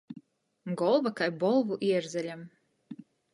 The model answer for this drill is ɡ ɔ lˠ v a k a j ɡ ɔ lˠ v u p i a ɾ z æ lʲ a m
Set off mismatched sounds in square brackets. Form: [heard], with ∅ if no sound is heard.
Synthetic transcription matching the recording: ɡ ɔ lˠ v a k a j [b] ɔ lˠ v u [ʔ] i [ɛ] ɾ z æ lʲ a m